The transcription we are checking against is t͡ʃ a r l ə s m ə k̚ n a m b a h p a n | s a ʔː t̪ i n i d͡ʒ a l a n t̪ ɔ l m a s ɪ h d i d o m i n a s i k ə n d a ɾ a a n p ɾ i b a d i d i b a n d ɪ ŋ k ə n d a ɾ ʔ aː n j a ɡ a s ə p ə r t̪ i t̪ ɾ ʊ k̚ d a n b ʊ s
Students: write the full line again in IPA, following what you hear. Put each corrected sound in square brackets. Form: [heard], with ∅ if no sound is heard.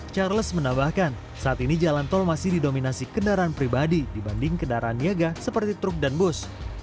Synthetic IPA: t͡ʃ a r l ə s m ə [∅] n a m b a h [k] a n | s a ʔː t̪ i n i d͡ʒ a l a n t̪ ɔ l m a s ɪ h d i d o m i n a s i k ə n d a ɾ a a n p ɾ i b a d i d i b a n d ɪ ŋ k ə n d a ɾ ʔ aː n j a ɡ a s ə p ə r t̪ i t̪ ɾ ʊ k̚ d a n b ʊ s